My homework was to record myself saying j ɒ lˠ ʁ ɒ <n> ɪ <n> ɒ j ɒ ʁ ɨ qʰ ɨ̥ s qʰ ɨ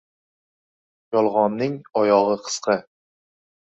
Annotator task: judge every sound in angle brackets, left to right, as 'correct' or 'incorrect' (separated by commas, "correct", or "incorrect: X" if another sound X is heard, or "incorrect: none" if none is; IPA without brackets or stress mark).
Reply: incorrect: nː, incorrect: ŋ